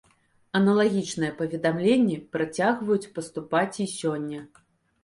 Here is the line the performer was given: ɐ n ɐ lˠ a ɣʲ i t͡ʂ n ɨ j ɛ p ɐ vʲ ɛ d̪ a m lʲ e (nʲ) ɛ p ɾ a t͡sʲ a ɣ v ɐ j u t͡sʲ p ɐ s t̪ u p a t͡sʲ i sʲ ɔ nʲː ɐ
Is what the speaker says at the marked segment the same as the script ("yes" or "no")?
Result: no